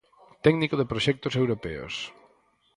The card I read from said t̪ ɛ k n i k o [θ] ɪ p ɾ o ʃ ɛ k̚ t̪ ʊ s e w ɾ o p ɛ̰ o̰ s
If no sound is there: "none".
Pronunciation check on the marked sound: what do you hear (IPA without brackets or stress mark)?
ð